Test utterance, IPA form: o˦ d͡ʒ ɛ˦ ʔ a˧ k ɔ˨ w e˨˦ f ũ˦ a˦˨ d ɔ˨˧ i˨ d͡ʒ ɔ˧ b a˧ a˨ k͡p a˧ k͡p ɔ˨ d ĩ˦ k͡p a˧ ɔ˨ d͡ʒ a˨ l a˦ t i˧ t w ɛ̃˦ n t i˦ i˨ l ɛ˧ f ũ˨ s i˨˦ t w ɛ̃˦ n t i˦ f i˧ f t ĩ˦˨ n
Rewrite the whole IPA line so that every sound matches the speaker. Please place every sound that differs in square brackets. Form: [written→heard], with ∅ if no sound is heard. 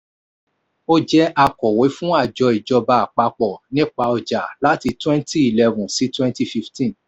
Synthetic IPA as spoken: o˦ d͡ʒ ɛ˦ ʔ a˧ k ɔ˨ w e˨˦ f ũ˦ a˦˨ [d→d͡ʒ] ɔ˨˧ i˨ d͡ʒ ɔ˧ b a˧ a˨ k͡p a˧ k͡p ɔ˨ [d→n] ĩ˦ k͡p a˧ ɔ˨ d͡ʒ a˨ l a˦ t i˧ t w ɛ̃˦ n t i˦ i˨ l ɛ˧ [f→v] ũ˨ s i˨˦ t w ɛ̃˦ n t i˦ f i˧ f t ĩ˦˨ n